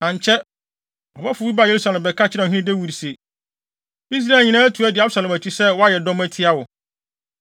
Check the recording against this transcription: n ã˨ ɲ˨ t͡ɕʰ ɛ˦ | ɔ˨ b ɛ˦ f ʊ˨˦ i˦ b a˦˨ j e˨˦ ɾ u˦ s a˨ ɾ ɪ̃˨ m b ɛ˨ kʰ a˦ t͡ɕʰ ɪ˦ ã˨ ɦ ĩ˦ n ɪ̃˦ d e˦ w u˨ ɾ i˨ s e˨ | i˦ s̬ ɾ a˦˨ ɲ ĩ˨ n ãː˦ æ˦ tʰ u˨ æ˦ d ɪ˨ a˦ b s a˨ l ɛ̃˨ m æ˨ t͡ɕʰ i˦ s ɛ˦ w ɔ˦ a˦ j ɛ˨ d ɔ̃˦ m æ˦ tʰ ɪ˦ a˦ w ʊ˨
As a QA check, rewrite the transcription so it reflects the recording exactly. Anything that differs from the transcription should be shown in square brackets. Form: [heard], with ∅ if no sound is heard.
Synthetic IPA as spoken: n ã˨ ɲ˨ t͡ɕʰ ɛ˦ | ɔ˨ b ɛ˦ f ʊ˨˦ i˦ b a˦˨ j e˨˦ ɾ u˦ s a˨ [l] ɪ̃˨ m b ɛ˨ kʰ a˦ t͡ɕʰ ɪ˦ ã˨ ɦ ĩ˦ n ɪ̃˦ d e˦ w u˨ ɾ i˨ s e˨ | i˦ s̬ ɾ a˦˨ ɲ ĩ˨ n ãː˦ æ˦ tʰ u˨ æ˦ d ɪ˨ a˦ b s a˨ l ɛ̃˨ m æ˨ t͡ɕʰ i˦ s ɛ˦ w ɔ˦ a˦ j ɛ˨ d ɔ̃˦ m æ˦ tʰ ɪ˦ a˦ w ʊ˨

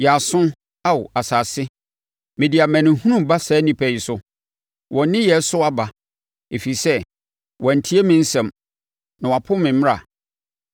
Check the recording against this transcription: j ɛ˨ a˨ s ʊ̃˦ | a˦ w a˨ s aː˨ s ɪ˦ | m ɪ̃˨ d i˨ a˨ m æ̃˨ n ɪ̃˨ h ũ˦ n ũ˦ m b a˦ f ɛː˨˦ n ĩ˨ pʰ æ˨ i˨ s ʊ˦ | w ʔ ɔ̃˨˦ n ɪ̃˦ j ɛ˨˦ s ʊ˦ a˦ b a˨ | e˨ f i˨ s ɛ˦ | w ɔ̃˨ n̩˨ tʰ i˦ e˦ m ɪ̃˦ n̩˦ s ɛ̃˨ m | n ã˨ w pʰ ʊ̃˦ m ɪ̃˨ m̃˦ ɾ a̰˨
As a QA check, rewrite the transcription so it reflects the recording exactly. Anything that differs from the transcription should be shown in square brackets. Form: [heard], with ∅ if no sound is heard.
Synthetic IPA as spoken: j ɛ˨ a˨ s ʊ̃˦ | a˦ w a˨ s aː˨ s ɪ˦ | m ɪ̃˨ d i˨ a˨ m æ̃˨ n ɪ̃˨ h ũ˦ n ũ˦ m b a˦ [s] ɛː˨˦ n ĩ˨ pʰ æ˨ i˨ s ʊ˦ | w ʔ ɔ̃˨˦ n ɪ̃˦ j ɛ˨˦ s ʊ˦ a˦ b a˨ | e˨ f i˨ s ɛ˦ | w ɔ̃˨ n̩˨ tʰ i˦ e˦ m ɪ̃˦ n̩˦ s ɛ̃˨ m | n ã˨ w pʰ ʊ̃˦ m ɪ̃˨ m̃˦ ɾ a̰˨

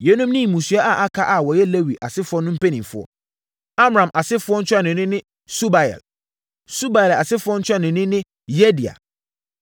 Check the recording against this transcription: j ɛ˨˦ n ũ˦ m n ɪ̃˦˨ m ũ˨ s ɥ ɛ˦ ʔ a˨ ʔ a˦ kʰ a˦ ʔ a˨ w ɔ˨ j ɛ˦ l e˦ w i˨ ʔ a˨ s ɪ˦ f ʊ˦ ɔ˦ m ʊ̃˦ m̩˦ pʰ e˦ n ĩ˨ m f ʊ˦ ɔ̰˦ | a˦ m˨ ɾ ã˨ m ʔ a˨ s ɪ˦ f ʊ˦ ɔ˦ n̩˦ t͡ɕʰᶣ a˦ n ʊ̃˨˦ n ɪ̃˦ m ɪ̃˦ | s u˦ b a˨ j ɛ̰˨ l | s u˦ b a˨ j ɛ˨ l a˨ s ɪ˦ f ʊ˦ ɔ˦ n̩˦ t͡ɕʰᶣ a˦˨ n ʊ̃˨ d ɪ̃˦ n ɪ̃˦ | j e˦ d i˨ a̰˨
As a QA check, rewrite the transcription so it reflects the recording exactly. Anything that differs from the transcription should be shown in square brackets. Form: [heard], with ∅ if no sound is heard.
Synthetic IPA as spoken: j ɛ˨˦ n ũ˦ m n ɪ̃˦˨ m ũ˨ s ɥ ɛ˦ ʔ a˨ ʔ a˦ kʰ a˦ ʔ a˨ w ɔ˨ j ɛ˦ l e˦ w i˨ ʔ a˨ s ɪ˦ f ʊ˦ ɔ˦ [n] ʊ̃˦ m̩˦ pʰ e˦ n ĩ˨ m f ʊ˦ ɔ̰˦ | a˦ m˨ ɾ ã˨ m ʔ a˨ s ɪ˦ f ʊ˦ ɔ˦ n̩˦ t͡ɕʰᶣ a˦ n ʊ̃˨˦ n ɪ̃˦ [n] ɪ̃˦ | s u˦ b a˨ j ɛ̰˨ l | s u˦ b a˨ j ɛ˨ l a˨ s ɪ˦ f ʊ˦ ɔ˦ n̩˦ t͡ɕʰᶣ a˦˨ n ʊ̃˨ [n] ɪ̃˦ n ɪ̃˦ | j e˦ d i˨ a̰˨

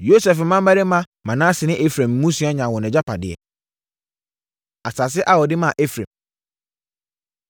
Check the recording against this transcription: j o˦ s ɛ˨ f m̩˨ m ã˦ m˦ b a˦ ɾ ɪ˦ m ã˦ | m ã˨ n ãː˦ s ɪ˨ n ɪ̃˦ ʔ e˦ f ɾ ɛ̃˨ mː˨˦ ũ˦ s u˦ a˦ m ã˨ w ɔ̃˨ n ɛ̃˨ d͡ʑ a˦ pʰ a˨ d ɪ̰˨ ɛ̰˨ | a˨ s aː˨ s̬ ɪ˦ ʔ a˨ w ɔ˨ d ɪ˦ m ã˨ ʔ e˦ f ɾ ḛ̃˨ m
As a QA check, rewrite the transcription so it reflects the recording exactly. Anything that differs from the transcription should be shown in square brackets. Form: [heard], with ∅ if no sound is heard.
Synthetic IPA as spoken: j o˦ s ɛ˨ f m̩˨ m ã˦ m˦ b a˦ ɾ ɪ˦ m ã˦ | m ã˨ n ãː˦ s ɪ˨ n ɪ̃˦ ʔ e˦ f ɾ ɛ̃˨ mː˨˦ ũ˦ s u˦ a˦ [ɲ] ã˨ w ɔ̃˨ n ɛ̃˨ d͡ʑ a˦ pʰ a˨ d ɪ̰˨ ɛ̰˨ | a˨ s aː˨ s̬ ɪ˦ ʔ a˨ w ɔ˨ d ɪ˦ m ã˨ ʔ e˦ f ɾ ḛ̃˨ m

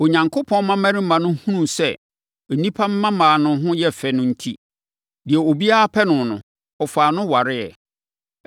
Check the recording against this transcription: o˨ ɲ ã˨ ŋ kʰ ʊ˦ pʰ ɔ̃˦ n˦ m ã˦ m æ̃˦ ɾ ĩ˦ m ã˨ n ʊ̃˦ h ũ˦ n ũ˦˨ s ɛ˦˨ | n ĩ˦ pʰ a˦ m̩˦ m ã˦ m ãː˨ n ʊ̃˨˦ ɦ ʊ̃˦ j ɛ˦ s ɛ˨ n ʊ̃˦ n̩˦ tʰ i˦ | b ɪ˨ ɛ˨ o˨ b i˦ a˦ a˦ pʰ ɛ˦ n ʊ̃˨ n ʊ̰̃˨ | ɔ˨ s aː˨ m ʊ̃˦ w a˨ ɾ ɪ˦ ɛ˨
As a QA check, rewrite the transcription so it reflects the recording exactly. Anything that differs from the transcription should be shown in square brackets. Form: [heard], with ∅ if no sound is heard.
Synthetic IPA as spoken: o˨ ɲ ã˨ ŋ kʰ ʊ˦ pʰ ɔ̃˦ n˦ m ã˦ m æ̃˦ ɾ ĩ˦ m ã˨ n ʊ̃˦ h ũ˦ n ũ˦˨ s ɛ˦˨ | n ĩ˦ pʰ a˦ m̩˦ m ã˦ m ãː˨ n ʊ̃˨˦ ɦ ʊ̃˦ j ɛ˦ [f] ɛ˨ n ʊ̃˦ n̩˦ tʰ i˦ | [d] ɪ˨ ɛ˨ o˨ b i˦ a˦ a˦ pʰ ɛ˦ n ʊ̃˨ n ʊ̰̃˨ | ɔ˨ [f] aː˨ [n] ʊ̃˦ w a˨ ɾ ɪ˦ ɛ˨

